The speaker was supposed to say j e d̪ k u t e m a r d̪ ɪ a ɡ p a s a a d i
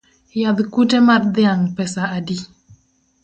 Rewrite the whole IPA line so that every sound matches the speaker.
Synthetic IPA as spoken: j a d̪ k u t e m a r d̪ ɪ a ŋ p ɛ s a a d i